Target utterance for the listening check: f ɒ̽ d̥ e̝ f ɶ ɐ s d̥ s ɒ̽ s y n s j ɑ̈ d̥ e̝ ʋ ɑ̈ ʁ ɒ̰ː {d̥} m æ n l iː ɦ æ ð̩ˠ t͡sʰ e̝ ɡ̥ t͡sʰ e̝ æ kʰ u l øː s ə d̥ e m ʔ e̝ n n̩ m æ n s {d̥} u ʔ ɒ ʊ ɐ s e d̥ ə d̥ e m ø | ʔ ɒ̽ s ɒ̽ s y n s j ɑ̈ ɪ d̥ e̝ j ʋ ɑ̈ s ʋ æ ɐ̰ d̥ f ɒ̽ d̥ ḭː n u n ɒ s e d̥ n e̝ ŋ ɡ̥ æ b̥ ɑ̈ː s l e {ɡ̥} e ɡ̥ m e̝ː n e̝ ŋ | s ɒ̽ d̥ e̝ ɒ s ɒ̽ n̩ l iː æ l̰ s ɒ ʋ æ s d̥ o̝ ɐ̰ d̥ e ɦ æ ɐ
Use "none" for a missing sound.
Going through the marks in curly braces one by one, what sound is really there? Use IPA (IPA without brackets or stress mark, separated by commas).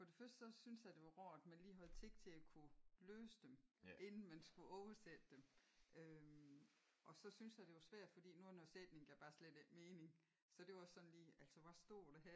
d̥, ɡ̥, d̥